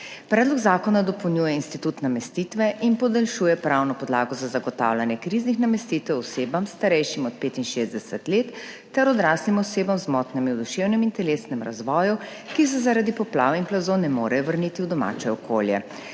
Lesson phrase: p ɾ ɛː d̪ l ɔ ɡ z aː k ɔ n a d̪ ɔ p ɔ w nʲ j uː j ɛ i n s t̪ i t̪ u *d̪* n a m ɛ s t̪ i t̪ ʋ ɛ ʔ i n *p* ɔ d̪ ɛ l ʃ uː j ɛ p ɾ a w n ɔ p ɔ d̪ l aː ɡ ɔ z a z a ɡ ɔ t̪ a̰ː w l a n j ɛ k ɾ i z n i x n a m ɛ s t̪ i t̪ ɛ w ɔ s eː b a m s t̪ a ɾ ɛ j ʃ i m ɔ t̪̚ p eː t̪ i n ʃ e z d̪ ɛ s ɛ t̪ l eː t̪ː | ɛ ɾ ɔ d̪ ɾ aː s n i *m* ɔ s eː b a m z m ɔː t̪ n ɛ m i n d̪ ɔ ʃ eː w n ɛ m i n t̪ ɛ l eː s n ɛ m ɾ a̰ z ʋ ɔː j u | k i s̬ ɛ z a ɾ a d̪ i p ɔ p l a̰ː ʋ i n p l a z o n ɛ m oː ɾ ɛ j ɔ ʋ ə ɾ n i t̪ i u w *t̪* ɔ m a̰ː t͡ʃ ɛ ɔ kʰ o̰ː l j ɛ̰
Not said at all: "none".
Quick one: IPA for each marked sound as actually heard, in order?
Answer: t̪, p, m, d̪

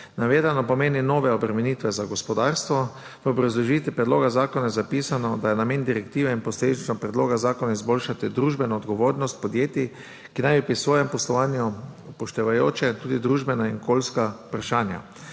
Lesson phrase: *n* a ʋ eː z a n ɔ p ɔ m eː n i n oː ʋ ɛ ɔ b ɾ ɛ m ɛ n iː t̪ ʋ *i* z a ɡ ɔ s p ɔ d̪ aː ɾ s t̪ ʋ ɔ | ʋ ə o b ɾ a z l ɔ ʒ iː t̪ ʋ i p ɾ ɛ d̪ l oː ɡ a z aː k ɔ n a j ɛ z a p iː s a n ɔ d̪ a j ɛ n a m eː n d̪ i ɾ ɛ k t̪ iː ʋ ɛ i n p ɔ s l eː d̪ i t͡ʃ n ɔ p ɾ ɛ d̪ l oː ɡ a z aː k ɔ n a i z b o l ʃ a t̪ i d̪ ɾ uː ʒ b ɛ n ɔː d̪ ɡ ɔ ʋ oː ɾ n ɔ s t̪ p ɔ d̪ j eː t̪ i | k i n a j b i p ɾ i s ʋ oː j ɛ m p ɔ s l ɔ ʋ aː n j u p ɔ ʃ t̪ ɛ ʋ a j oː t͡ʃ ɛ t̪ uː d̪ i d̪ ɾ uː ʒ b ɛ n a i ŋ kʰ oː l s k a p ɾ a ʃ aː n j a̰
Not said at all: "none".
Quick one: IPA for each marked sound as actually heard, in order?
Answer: n, ɛ

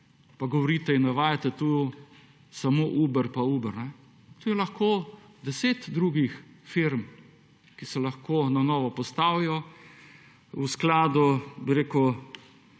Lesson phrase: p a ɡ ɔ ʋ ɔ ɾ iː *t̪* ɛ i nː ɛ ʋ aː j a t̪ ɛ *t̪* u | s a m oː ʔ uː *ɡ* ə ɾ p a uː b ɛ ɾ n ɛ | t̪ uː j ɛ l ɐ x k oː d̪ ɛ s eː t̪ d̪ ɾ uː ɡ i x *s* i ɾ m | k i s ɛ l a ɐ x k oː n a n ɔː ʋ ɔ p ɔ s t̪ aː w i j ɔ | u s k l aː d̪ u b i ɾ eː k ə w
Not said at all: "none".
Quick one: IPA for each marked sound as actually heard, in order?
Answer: t̪, t̪, b, f

